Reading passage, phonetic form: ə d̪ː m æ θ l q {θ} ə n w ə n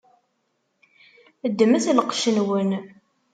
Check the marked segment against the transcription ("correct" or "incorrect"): incorrect